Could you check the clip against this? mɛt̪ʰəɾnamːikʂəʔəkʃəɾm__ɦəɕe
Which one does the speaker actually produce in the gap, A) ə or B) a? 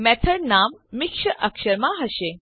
B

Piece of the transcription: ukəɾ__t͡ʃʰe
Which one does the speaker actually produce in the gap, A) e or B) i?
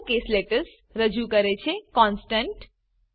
A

